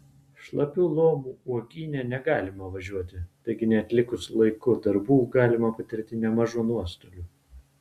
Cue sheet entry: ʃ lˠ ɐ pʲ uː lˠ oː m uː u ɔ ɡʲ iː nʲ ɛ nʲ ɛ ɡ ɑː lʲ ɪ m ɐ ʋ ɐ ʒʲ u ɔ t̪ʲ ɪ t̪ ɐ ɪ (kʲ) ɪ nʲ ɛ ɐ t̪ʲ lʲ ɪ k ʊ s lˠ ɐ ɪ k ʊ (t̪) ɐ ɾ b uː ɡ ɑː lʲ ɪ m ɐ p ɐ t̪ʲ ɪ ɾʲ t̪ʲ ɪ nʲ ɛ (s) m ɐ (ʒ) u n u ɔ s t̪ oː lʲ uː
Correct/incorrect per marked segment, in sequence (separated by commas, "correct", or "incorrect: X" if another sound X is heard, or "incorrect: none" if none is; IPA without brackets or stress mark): incorrect: ɡʲ, incorrect: d̪, incorrect: none, correct